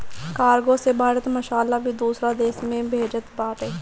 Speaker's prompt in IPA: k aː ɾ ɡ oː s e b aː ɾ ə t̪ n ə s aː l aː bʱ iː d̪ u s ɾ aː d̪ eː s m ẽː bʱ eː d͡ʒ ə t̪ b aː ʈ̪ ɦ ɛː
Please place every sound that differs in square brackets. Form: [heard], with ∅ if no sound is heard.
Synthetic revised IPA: k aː ɾ ɡ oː s e b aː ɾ ə t̪ [m] ə [ʃ] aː l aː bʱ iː d̪ [uː] s ɾ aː d̪ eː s m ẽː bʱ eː d͡ʒ ə t̪ b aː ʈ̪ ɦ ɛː